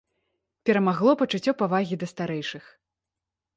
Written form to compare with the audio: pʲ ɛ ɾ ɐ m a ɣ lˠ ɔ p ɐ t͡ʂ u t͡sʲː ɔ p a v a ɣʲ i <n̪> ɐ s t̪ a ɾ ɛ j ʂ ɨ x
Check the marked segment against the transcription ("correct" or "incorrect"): incorrect